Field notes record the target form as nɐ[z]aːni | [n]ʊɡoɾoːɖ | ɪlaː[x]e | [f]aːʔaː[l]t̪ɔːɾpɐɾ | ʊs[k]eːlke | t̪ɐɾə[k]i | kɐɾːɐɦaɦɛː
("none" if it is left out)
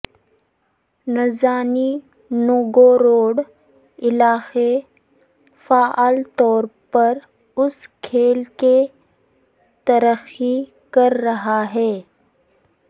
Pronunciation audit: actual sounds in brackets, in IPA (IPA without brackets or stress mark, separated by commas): z, n, x, f, l, kʰ, x